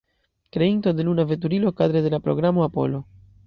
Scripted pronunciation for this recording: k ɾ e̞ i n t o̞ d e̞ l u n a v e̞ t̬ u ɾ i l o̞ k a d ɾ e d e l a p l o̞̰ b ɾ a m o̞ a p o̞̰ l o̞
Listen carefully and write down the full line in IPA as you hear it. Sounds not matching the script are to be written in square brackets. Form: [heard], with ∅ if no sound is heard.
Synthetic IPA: k ɾ e̞ i n t o̞ d e̞ l u n a v e̞ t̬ u ɾ i l o̞ k a d ɾ e d e l a p [ɾ] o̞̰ [ɡ] ɾ a m o̞ a p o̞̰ l o̞